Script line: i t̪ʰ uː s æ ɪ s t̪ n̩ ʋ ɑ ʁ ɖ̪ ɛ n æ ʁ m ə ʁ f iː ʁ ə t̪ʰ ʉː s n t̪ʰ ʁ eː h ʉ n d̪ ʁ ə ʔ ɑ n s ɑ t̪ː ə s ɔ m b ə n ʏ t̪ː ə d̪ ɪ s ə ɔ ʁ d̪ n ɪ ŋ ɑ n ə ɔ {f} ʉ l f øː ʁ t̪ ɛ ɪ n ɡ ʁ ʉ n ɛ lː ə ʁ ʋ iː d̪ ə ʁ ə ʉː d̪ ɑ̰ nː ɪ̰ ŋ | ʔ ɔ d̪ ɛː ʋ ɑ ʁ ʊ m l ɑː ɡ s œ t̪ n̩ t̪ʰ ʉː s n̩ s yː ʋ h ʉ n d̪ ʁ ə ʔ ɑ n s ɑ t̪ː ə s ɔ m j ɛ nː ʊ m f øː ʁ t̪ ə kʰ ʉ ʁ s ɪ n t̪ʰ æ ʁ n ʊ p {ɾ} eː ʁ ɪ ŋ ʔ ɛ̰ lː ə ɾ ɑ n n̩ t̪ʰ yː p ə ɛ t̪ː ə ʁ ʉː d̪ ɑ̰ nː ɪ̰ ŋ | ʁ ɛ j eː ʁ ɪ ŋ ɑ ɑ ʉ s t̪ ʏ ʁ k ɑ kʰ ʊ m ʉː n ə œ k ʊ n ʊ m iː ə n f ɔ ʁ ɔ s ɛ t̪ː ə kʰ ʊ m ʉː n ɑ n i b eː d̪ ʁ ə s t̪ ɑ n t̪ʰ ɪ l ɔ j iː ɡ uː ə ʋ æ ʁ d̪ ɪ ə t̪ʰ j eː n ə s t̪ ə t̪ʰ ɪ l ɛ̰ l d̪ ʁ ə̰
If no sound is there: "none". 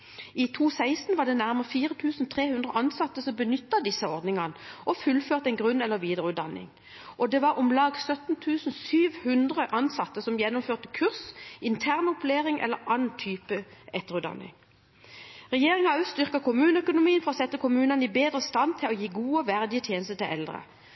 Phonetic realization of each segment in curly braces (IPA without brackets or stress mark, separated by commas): f, l